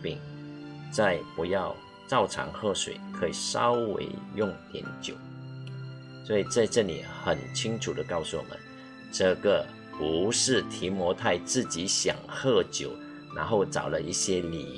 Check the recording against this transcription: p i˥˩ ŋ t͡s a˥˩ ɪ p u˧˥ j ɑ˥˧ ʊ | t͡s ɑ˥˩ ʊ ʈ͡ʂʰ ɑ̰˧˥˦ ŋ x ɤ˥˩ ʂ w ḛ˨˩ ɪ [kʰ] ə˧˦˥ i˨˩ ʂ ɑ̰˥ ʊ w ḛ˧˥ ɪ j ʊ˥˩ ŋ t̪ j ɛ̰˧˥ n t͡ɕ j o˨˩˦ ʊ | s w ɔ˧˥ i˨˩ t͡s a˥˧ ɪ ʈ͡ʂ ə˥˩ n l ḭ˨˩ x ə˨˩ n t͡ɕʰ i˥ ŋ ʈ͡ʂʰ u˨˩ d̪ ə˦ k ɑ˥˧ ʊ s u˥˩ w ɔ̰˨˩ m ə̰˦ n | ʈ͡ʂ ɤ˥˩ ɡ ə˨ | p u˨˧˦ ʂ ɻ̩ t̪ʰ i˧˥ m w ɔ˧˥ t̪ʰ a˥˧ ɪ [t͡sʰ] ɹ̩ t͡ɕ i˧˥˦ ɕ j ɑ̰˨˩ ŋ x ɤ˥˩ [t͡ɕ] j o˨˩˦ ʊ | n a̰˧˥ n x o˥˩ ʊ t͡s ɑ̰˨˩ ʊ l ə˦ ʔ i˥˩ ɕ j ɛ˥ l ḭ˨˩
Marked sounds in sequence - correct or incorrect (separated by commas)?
correct, incorrect, correct